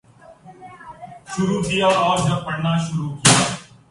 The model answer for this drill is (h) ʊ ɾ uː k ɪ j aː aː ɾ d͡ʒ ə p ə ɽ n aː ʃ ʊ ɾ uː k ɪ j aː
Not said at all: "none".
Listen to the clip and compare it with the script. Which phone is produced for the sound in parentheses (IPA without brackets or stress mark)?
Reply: ʃ